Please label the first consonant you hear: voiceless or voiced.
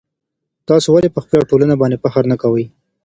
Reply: voiceless